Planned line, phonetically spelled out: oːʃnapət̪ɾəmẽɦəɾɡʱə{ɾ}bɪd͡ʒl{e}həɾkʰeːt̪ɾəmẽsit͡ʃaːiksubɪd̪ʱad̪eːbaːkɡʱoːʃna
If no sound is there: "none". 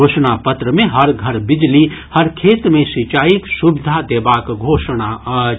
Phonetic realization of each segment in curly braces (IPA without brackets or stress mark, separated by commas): ɾ, i